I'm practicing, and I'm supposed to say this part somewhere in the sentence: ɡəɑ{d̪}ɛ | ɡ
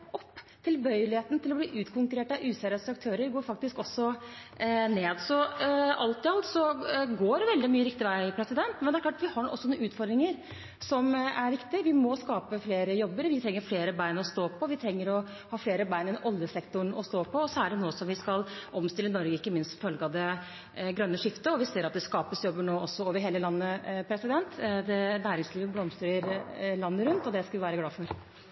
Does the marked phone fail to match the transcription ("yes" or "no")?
no